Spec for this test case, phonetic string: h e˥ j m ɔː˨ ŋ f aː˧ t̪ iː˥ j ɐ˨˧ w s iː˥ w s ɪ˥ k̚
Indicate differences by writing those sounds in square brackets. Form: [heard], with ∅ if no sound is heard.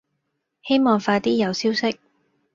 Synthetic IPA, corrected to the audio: h e˥ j m ɔː˨ ŋ f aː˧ t̪ iː˥ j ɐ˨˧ w s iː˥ w s ɪ˥ k̚